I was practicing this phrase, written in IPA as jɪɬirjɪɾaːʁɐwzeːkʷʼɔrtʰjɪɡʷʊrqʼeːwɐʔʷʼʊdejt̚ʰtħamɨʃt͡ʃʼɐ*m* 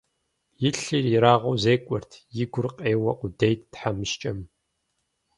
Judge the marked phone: correct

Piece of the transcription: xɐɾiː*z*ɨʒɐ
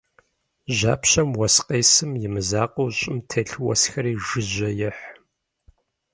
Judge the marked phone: incorrect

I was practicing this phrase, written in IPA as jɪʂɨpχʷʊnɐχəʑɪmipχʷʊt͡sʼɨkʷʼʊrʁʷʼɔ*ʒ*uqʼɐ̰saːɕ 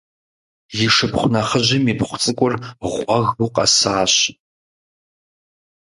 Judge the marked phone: incorrect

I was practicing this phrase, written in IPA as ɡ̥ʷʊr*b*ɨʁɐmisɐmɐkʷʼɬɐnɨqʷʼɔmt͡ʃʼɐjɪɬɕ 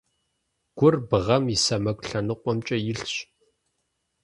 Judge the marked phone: correct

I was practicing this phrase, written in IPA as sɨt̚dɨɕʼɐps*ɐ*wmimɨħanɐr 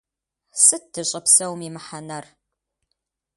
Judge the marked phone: correct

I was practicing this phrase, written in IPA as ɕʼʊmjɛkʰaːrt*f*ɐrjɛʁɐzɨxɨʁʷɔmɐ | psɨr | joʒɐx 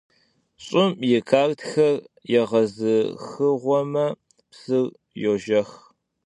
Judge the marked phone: incorrect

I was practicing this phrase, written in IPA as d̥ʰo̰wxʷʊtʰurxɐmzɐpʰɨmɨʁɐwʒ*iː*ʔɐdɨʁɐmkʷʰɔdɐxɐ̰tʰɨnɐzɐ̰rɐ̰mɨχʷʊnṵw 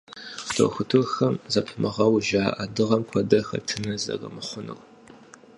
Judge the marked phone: incorrect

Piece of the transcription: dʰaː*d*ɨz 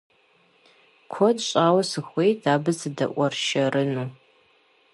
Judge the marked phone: incorrect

